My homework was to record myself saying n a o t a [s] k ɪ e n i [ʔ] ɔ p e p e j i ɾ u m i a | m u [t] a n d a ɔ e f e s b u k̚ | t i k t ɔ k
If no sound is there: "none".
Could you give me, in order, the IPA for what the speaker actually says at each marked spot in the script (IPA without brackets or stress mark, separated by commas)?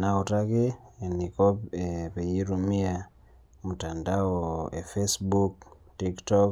none, k, t